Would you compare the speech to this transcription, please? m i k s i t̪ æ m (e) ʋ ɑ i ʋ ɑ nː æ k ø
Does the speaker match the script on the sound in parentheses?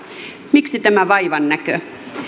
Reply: no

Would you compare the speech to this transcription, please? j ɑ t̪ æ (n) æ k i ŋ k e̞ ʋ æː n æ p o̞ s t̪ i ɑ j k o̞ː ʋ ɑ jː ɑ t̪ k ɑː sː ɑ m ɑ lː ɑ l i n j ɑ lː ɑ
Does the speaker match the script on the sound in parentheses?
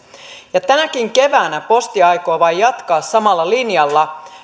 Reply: yes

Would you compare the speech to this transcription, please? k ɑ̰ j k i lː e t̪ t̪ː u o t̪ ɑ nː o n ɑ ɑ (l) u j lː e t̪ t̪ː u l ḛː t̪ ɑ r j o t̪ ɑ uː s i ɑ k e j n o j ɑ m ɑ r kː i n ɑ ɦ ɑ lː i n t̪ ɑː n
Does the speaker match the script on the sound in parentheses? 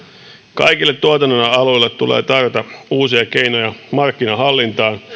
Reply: yes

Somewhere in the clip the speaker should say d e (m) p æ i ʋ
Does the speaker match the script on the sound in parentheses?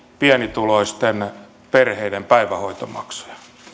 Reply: yes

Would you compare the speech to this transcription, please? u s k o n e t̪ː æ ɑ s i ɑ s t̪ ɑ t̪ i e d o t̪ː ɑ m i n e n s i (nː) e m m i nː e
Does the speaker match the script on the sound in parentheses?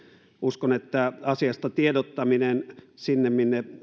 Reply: yes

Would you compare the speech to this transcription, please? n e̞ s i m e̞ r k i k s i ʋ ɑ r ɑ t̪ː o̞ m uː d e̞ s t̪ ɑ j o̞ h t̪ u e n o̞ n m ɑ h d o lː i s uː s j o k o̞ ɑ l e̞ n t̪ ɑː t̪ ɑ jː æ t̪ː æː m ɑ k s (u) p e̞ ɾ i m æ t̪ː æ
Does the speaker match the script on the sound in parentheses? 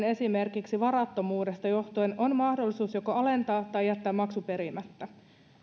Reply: yes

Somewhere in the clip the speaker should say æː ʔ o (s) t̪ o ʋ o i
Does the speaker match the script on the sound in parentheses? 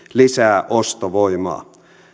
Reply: yes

